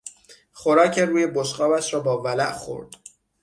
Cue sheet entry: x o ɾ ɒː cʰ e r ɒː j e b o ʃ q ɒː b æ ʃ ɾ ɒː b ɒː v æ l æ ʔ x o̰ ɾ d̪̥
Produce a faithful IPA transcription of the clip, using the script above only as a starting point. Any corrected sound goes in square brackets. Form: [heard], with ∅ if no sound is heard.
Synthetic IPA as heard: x o ɾ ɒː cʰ e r [uː] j e b o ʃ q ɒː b æ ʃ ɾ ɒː b ɒː v æ l æ ʔ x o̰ ɾ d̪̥